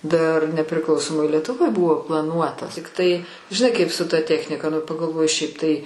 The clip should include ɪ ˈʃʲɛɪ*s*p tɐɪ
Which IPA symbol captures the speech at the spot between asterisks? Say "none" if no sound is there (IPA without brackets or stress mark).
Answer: none